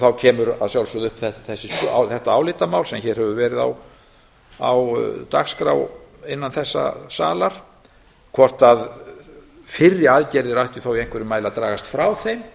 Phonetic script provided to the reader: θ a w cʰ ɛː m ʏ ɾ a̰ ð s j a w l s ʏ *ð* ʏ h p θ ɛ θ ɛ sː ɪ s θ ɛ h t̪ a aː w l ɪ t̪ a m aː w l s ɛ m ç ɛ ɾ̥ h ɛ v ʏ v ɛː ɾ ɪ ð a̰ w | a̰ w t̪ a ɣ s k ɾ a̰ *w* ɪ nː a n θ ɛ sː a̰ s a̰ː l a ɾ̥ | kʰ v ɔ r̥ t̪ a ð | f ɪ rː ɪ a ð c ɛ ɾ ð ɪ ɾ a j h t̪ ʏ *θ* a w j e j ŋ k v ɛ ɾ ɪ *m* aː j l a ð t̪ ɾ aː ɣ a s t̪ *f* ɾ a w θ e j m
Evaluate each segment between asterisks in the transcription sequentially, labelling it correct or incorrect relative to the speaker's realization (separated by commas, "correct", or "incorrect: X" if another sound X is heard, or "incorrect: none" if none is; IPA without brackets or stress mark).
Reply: correct, correct, correct, correct, correct